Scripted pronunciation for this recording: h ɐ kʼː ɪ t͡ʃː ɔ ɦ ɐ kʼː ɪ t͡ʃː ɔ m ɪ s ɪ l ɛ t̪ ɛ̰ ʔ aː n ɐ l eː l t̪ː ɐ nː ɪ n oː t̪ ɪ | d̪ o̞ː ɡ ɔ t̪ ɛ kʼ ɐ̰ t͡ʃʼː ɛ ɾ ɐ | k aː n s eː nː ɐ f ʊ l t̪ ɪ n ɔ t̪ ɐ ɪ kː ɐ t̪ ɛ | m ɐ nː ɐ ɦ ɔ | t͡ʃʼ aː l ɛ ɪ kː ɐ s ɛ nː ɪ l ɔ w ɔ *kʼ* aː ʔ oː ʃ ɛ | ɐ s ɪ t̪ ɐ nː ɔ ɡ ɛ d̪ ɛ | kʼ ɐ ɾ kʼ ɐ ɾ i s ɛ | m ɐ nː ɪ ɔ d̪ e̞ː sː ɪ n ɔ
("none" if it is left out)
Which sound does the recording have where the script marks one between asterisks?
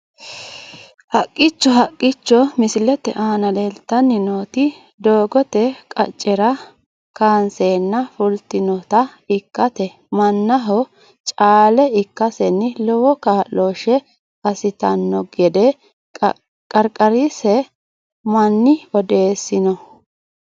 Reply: k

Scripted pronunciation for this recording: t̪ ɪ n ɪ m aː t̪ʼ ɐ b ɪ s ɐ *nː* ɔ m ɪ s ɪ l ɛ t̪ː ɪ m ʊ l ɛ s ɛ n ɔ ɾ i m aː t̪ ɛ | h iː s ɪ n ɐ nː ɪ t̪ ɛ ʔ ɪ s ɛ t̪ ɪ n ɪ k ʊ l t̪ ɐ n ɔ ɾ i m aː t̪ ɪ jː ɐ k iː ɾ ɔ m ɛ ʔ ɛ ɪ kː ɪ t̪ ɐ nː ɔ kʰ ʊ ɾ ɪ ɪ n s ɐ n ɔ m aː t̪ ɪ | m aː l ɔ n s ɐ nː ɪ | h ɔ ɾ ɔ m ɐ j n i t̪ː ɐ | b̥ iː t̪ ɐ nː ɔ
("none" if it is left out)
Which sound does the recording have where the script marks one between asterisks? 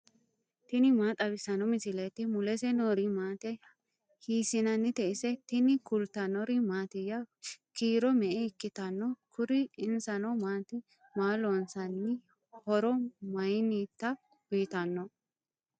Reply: n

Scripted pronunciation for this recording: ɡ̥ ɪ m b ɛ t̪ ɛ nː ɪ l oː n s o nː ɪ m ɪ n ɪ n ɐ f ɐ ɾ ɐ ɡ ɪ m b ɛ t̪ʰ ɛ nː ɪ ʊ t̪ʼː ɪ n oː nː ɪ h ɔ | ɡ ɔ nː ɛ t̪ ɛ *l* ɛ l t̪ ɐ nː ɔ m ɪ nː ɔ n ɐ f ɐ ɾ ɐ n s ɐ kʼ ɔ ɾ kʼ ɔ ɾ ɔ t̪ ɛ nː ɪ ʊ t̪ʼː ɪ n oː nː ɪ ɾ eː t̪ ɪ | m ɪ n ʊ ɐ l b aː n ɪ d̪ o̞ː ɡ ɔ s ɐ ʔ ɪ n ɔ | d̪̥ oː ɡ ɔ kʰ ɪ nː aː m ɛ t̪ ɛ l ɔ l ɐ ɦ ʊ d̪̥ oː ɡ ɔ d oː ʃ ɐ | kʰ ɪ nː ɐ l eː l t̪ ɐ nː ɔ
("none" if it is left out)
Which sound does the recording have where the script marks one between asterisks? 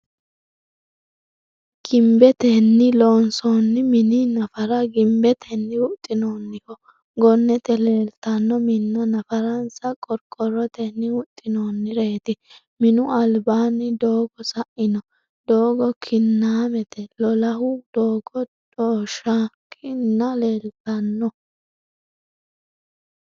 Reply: l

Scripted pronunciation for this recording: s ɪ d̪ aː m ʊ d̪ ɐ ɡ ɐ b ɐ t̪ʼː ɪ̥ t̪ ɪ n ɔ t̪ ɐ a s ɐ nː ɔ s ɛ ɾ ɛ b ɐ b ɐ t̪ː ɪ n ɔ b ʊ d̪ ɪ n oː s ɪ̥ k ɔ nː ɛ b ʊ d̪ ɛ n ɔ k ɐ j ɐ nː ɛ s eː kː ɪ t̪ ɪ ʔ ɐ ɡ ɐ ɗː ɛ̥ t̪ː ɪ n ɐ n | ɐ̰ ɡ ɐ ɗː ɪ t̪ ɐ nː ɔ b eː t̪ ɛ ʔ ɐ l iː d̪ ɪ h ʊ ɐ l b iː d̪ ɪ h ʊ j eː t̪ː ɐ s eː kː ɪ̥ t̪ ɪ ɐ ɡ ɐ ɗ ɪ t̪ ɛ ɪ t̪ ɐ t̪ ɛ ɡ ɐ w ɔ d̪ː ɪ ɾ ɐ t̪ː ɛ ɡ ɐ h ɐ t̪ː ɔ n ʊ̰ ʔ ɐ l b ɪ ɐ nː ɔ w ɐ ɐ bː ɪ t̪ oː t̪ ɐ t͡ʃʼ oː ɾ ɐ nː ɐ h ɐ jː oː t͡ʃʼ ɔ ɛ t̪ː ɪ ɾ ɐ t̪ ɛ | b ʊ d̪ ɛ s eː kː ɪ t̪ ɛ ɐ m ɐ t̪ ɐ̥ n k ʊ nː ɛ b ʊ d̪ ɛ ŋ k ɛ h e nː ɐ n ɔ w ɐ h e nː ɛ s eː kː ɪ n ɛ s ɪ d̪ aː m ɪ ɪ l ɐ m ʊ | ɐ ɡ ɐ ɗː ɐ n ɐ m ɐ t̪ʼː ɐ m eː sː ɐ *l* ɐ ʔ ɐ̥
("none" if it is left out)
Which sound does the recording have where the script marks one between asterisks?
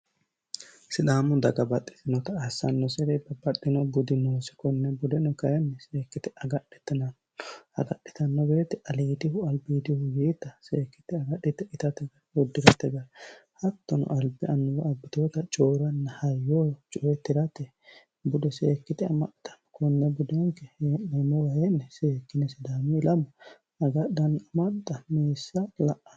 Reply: l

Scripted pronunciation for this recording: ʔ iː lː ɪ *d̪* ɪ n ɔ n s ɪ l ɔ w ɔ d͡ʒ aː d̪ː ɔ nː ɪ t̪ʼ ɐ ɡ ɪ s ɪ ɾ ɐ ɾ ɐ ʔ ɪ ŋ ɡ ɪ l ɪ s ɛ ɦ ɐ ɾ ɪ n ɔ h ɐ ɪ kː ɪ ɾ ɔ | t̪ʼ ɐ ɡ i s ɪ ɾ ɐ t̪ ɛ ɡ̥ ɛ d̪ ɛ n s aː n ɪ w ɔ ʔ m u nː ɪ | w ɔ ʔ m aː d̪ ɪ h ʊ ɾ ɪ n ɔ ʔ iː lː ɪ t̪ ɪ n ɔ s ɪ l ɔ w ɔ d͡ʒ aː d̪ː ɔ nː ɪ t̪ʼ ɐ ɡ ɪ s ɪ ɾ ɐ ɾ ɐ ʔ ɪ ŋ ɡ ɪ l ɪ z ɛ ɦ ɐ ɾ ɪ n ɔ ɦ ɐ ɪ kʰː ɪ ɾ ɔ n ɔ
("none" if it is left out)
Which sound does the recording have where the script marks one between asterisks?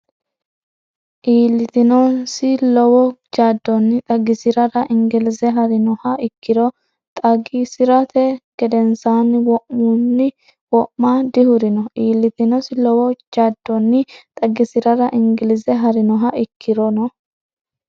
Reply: t̪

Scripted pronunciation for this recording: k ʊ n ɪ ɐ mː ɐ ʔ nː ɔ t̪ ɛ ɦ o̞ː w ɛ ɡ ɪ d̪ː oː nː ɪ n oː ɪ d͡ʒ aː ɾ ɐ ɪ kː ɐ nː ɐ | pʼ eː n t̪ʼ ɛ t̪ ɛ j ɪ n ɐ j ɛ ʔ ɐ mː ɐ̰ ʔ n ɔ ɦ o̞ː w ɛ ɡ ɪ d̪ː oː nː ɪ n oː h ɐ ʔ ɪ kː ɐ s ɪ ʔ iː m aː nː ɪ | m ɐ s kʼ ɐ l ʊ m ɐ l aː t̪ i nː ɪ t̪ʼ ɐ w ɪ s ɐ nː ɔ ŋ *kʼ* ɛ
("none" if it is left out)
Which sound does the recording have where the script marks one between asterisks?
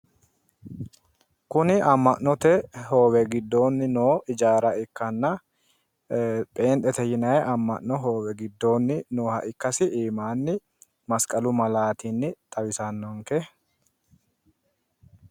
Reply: k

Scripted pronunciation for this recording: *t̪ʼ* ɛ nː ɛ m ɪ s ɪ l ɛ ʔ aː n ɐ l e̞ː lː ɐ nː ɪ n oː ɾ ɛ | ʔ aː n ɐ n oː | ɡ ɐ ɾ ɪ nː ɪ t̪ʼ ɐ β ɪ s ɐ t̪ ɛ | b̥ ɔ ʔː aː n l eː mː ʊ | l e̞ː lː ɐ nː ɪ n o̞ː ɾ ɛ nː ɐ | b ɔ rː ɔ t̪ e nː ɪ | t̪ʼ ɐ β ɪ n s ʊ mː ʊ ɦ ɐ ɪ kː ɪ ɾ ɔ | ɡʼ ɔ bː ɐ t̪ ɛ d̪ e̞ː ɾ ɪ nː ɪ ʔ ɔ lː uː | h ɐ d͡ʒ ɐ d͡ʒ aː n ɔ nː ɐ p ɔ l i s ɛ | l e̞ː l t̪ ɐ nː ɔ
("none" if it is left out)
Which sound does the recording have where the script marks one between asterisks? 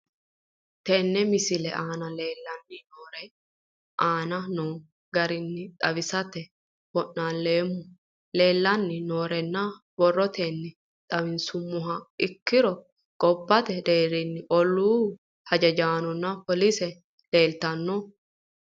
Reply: t̪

